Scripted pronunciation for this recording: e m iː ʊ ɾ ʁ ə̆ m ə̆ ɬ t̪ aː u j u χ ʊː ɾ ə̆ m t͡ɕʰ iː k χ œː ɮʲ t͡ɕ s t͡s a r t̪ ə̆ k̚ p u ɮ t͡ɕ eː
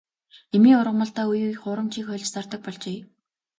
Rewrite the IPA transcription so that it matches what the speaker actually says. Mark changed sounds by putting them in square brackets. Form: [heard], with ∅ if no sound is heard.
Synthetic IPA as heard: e m iː ʊ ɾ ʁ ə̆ m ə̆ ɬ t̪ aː u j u χ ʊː ɾ ə̆ m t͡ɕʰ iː k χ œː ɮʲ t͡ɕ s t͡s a r t̪ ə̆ k̚ p [ɔ] ɮ t͡ɕ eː